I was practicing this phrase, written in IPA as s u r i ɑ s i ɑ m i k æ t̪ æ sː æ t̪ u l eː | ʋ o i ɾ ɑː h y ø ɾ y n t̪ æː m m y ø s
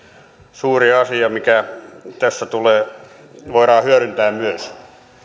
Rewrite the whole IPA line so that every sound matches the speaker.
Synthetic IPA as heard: s uː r i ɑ s i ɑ m i k æ t̪ æ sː æ t̪ u l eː | ʋ o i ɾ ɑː h y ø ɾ y n t̪ æː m m y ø s